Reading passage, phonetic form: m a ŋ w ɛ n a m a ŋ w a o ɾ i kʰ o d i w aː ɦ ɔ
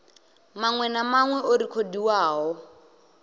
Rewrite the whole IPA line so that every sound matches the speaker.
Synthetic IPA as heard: m a ŋ w ɛ n a m a ŋ w ɛ o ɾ i kʰ o d i w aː ɦ ɔ